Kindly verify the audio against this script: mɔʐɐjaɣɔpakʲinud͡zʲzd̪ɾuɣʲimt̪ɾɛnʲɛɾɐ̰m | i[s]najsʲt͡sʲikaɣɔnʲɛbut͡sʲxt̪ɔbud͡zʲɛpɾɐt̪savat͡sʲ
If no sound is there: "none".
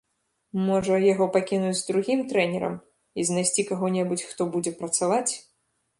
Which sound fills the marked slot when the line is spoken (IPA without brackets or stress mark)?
z